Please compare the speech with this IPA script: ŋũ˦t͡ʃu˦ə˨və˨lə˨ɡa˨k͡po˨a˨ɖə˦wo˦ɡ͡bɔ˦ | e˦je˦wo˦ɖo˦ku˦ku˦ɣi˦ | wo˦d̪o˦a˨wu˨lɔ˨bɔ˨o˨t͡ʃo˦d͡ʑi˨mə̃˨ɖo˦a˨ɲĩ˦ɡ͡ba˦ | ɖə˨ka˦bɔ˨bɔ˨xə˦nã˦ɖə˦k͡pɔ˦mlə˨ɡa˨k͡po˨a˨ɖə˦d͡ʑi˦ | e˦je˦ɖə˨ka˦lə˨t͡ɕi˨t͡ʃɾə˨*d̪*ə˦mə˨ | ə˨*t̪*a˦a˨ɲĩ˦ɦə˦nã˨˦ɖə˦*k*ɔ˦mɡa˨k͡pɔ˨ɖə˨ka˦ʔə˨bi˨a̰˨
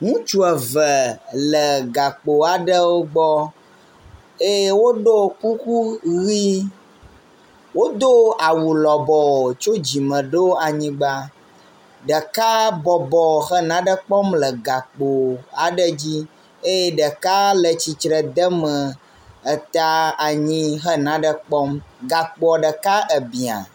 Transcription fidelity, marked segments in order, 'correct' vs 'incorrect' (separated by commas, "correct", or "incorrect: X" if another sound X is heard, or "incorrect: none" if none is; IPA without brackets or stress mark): correct, correct, incorrect: k͡p